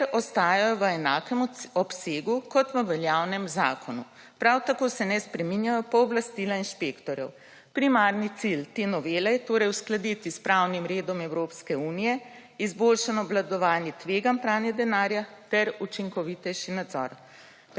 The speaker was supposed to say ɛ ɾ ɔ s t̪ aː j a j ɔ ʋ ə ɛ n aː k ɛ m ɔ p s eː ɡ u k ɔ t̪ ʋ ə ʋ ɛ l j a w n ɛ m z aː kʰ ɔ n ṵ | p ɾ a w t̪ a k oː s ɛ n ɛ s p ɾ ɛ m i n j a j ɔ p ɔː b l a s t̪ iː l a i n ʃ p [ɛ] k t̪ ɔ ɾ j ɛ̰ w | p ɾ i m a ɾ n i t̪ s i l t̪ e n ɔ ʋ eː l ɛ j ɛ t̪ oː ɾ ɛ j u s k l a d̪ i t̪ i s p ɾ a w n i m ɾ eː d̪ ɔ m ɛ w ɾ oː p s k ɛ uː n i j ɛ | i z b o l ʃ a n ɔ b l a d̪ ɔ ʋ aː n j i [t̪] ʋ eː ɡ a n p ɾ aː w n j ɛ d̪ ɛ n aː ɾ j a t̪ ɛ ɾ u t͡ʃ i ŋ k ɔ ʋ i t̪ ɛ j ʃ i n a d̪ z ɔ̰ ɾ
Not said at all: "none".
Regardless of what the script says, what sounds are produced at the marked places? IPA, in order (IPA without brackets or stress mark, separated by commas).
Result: e, t̪